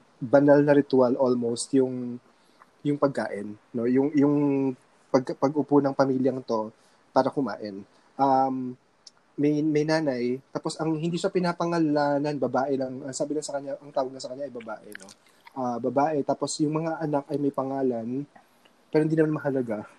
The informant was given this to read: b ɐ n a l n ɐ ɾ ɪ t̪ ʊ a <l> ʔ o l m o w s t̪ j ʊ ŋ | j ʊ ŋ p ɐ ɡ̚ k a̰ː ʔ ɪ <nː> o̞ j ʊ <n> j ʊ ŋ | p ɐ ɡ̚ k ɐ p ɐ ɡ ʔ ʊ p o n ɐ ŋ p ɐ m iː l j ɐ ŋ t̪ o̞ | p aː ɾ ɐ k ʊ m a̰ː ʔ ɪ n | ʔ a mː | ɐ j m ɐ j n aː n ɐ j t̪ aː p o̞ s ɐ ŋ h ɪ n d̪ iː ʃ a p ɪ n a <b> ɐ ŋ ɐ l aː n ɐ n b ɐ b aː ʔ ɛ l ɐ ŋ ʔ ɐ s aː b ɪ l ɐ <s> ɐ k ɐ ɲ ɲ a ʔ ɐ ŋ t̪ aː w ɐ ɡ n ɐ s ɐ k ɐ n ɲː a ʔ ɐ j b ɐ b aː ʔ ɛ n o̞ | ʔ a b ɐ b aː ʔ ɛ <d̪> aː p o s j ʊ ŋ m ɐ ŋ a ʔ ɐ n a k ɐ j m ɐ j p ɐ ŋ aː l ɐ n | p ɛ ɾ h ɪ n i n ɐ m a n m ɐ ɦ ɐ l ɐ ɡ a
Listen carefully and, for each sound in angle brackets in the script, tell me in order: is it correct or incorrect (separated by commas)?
correct, correct, incorrect, incorrect, correct, incorrect